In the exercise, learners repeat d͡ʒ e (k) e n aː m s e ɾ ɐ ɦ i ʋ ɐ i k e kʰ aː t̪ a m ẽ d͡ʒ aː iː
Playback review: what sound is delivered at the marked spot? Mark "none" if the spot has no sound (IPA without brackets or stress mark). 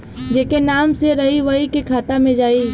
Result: k